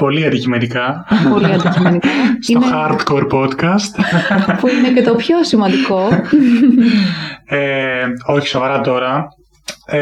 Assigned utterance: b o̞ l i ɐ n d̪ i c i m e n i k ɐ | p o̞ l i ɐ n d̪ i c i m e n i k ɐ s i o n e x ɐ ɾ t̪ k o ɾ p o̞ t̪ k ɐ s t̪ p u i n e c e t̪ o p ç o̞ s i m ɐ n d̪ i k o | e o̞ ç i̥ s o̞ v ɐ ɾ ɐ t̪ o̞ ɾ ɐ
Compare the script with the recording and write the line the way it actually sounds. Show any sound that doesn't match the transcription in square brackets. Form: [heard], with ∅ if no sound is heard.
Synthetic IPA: [p] o̞ l i ɐ n d̪ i c i m e n i k ɐ | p o̞ l i ɐ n d̪ i c i m e n i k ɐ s i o n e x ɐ ɾ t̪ k o ɾ p o̞ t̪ k ɐ s t̪ p u i n e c e t̪ o p ç o̞ s i m ɐ n d̪ i k o | e o̞ ç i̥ s o̞ v ɐ ɾ ɐ t̪ o̞ ɾ ɐ